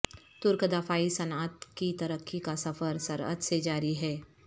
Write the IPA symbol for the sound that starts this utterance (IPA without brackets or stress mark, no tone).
t̪